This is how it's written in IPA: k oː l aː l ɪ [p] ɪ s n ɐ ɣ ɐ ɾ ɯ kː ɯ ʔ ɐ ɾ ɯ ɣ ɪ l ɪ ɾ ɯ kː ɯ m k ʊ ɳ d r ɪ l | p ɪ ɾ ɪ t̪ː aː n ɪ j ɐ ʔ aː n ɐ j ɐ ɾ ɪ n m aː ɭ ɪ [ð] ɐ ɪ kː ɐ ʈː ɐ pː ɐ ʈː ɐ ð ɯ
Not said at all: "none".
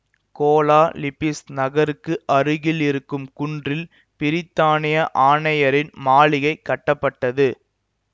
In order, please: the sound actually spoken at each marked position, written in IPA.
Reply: p, ɣ

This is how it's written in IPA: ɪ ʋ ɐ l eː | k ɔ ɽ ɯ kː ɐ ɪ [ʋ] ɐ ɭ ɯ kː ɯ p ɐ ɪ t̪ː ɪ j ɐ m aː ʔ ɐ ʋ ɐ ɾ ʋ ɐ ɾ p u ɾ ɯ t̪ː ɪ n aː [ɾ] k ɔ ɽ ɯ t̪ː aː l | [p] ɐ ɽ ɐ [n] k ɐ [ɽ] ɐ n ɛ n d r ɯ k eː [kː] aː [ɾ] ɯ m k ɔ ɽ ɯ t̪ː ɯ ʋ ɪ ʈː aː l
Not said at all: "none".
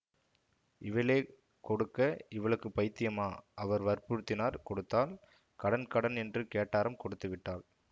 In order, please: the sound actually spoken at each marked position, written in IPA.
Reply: ʋ, ɾ, k, n, ɽ, ʈː, ɾ

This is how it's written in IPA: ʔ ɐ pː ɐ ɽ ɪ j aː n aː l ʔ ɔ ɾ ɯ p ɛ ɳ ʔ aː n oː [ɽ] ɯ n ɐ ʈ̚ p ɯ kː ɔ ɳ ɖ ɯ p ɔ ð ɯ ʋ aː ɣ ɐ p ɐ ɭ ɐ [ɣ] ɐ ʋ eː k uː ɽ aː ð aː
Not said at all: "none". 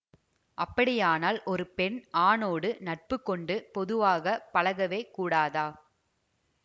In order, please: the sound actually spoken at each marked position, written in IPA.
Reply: ɽ, ɣ

